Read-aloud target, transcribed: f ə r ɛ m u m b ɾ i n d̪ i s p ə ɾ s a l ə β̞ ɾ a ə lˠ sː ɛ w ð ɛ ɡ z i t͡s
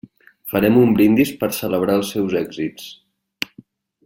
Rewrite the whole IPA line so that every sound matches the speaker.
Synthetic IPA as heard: f ə ɾ ɛ m u m b ɾ i n d̪ i s p ə ɾ s ə l ə β̞ ɾ a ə lˠ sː ɛ w z ɛ ɡ z i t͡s